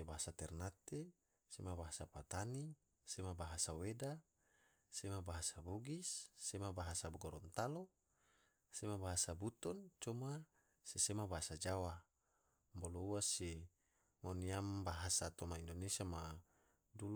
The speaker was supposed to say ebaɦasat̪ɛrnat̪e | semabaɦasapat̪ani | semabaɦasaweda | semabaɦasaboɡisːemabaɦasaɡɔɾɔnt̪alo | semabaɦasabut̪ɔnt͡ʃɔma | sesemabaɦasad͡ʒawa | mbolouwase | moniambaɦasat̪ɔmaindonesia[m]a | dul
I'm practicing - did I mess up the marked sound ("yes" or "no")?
no